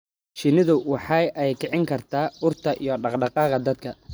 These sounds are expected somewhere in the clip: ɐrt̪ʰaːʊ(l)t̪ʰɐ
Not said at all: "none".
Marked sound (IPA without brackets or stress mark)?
r